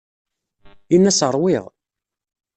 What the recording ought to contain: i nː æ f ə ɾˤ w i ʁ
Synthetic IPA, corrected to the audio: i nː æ s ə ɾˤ w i ʁ